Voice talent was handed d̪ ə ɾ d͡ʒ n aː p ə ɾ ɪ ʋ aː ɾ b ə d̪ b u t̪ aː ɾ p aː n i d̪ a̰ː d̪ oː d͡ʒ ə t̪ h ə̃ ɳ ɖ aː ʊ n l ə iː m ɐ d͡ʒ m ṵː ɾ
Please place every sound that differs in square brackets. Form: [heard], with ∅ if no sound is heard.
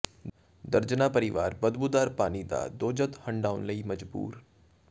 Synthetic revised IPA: d̪ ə ɾ d͡ʒ n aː p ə ɾ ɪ ʋ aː ɾ b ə d̪ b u [d̪] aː ɾ p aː n i d̪ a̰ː d̪ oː d͡ʒ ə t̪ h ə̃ ɳ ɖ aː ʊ n l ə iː m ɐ d͡ʒ [b] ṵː ɾ